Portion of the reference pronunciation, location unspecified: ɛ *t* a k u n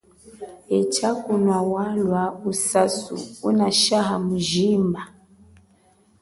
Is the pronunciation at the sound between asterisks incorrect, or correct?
incorrect: t͡ʃ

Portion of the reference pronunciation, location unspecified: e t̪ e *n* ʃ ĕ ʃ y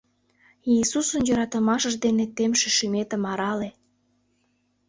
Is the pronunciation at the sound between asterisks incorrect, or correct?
incorrect: m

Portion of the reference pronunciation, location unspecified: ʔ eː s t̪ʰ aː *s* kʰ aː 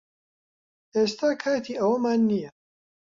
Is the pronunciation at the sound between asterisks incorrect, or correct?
incorrect: none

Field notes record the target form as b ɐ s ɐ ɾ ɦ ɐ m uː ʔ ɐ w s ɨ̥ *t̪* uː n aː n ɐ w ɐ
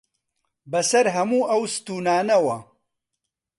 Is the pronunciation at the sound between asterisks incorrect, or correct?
correct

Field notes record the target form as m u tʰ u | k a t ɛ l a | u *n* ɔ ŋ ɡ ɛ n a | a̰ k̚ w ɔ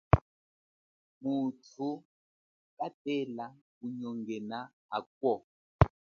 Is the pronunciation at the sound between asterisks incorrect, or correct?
incorrect: ɲ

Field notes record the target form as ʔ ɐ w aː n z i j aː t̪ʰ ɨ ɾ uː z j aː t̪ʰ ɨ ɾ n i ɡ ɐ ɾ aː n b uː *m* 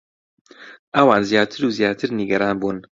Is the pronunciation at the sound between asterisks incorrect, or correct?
incorrect: n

